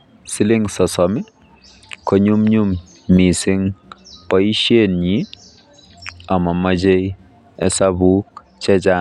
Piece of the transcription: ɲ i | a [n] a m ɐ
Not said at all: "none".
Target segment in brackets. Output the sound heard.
m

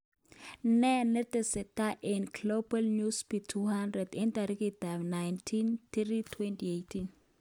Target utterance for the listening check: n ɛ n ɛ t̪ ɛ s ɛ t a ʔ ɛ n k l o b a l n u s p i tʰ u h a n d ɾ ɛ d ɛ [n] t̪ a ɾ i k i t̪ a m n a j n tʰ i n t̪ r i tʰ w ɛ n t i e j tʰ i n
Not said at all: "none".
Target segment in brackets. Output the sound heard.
n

